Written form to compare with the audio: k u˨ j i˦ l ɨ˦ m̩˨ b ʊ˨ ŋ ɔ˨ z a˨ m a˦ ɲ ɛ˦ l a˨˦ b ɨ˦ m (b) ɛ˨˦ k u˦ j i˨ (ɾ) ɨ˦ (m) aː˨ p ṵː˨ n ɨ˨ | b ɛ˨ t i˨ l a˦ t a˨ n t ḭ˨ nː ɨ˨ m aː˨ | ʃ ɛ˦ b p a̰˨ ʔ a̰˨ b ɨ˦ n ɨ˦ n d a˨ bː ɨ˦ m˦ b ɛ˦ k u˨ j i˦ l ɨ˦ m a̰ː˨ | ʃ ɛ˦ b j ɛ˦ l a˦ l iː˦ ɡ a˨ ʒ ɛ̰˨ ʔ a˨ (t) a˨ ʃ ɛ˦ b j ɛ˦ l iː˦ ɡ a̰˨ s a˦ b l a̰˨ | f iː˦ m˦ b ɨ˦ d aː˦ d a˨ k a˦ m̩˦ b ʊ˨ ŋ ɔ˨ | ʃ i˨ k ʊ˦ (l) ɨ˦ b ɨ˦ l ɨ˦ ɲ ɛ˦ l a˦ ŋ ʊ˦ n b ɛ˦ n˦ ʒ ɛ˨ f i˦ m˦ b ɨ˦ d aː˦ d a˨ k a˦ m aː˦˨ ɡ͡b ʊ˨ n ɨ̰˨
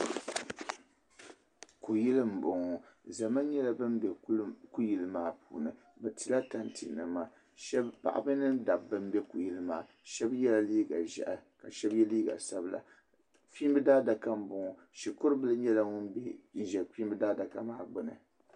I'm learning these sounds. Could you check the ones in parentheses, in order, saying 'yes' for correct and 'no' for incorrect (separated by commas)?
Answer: yes, no, yes, no, no